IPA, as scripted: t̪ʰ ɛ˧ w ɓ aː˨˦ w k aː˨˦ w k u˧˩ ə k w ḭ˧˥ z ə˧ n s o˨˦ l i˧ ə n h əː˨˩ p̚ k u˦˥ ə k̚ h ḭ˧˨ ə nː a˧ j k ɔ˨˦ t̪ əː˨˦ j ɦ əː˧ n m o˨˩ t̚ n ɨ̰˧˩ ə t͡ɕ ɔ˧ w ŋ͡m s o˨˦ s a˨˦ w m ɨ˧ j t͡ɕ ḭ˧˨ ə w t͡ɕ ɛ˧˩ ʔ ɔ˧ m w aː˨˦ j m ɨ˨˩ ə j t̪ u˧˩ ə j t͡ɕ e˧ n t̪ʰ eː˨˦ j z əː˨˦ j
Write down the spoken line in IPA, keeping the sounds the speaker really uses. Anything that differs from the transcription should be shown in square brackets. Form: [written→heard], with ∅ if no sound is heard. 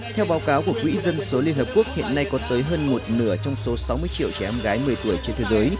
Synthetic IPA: t̪ʰ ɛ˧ w ɓ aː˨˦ w k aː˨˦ w k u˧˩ ə k w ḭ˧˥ z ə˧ n s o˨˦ l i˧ ə n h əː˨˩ p̚ k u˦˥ ə k̚ h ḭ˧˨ ə nː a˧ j k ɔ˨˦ t̪ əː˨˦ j ɦ əː˧ n m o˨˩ t̚ n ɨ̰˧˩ ə t͡ɕ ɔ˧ w ŋ͡m s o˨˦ s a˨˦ w m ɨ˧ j t͡ɕ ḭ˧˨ ə w t͡ɕ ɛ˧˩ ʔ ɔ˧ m [w→ɣ] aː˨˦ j m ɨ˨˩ ə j t̪ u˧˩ ə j t͡ɕ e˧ n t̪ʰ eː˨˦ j z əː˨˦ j